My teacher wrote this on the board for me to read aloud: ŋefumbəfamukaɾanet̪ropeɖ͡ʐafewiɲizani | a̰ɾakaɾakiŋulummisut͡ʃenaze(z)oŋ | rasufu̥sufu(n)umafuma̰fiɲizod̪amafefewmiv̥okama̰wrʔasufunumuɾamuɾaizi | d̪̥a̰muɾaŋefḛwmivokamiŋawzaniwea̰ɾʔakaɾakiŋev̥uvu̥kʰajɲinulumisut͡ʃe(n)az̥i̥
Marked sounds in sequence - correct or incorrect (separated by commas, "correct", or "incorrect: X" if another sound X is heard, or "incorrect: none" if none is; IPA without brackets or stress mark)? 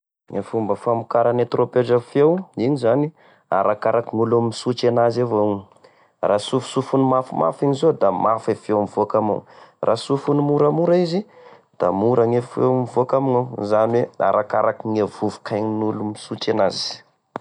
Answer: incorrect: v, correct, correct